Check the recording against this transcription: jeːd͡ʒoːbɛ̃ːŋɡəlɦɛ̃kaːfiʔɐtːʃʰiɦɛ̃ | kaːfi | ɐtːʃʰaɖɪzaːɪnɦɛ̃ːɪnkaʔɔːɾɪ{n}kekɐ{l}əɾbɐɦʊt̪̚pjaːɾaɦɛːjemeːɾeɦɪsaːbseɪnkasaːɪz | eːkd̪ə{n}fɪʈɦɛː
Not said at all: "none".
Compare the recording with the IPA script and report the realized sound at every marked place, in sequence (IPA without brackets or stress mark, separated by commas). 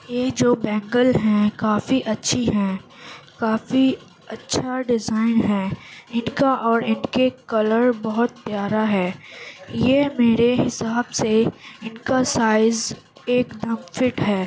n, l, m